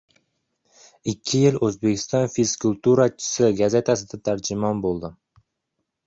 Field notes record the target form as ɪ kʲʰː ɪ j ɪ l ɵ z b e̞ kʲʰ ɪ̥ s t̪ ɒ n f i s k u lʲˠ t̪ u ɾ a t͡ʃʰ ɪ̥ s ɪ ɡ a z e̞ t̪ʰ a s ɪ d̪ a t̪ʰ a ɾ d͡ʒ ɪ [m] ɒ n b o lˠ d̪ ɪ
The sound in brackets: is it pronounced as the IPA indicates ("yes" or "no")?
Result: yes